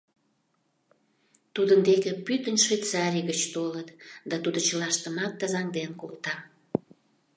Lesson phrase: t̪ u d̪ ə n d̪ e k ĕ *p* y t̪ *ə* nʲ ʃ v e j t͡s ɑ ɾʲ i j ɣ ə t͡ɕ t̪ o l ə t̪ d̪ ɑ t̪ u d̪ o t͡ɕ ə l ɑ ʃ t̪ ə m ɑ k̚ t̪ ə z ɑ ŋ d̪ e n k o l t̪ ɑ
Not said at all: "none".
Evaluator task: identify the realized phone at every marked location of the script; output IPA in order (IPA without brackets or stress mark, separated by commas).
p, ə